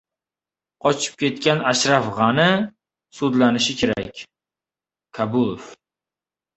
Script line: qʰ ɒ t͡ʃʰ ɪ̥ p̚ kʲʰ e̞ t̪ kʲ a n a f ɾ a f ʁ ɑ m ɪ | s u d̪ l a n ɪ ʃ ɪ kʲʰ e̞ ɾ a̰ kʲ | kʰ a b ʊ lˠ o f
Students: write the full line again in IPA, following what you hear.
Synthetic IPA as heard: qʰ ɒ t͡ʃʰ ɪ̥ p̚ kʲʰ e̞ t̪ kʲ a n a ʃ ɾ a f ʁ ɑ n ɪ | s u d̪ l a n ɪ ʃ ɪ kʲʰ e̞ ɾ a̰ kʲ | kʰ a b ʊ lˠ o f